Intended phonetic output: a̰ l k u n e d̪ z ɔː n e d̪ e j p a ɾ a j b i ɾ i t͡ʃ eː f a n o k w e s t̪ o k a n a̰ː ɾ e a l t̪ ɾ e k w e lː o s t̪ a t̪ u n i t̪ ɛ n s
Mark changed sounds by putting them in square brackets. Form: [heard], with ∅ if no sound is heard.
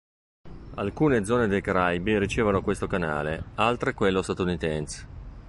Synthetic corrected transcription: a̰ l k [uː] n e d̪ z ɔː n e d̪ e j [k] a ɾ a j b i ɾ i t͡ʃ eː [v] a n o k w e s t̪ o k a n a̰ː [l] e a l t̪ ɾ e k w e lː o s t̪ a t̪ u n i t̪ ɛ n s